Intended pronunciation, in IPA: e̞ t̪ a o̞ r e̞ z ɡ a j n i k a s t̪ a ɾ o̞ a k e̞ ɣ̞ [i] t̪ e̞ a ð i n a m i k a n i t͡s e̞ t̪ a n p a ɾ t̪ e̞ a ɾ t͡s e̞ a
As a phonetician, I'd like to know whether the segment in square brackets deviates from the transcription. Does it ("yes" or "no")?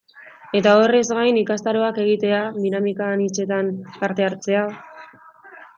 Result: no